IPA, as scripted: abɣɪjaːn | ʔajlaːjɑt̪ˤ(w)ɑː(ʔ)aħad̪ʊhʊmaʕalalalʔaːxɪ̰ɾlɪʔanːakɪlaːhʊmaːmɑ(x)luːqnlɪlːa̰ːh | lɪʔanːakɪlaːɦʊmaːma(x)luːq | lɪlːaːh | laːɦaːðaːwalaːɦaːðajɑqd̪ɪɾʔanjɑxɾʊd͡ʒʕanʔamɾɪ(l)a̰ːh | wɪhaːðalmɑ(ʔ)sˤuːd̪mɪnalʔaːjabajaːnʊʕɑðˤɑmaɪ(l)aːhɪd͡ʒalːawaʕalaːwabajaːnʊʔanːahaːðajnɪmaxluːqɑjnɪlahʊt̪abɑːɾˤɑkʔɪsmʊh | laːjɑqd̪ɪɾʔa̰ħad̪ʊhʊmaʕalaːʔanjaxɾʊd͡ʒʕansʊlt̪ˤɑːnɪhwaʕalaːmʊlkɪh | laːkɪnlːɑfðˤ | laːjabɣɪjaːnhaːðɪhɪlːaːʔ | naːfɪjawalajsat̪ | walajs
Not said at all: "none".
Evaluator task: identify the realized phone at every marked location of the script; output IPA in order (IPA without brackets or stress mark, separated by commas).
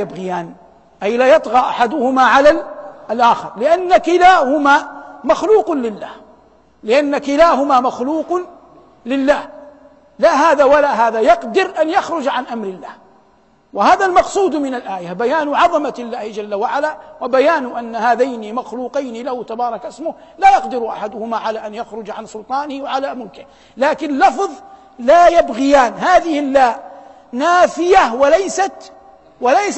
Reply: ɣ, ʔ, x, x, lː, q, lː